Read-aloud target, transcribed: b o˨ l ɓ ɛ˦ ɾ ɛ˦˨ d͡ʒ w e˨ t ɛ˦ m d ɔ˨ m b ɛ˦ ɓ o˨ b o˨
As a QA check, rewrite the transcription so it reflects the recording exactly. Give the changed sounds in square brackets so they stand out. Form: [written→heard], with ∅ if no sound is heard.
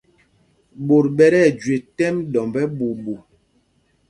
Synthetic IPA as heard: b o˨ [l→ɾ] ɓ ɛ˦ ɾ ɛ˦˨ d͡ʒ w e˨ t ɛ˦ m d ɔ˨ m b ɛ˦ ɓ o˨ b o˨